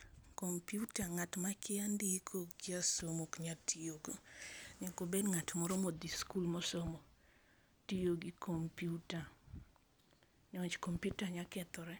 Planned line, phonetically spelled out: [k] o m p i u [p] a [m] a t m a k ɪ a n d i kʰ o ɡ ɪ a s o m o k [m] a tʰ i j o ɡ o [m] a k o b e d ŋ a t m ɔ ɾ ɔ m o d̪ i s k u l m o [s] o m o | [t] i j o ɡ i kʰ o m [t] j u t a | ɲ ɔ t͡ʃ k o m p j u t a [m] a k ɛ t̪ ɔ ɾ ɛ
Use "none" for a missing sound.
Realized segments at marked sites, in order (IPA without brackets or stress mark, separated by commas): k, t, ŋ, ɲ, ɲ, s, t, p, ɲ